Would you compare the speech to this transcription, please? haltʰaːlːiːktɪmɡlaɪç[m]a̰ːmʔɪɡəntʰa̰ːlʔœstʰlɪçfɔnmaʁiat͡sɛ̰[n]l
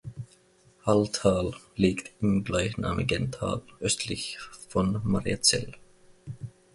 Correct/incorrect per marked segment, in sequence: incorrect: n, incorrect: none

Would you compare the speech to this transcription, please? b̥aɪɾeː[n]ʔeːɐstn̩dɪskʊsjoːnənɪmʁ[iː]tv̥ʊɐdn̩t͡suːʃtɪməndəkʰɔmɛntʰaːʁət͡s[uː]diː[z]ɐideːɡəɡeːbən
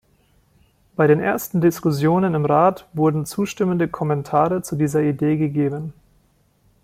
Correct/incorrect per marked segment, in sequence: correct, incorrect: aː, incorrect: u, correct

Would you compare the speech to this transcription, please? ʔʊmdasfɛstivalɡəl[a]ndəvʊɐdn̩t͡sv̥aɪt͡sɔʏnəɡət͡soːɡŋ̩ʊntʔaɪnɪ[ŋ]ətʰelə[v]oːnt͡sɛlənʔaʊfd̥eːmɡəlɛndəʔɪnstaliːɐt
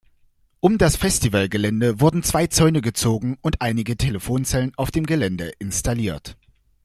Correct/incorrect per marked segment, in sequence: incorrect: ɛ, incorrect: ɡ, incorrect: f

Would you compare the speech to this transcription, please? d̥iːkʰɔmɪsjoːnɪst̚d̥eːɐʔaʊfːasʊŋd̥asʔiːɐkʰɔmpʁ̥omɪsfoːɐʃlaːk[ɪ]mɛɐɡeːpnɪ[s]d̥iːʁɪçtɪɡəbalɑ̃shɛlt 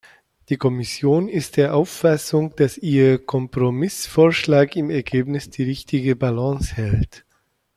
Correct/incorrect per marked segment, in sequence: correct, correct

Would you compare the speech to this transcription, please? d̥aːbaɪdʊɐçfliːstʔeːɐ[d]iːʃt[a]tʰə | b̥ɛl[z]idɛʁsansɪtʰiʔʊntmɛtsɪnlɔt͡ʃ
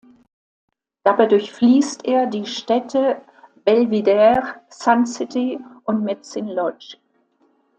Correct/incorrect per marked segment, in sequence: correct, incorrect: ɛ, incorrect: v

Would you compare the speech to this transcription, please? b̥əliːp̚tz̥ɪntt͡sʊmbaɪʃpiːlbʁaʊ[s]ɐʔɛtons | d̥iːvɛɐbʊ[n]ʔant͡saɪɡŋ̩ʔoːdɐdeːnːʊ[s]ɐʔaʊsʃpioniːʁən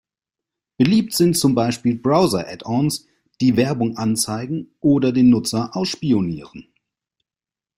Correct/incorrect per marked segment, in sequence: incorrect: z, incorrect: ŋ, incorrect: t͡s

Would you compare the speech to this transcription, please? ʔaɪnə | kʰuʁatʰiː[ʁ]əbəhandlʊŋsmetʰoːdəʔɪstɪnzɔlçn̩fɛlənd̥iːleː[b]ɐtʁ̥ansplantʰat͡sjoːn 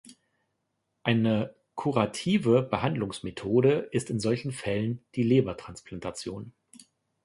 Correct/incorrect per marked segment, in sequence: incorrect: v, correct

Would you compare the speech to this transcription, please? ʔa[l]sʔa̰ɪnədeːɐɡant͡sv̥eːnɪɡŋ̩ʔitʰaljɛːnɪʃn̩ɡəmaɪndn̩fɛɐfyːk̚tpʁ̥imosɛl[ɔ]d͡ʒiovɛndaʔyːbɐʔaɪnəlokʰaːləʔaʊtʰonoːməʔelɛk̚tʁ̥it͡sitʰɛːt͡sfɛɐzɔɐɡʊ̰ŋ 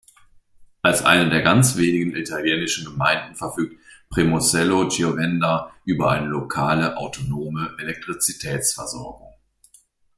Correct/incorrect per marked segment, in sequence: correct, incorrect: o

